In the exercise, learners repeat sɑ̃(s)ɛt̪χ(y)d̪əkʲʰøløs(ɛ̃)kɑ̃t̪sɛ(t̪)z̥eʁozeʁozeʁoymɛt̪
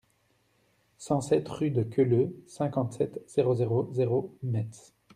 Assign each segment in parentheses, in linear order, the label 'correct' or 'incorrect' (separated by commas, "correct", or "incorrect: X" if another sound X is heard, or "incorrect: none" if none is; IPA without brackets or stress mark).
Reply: correct, correct, correct, correct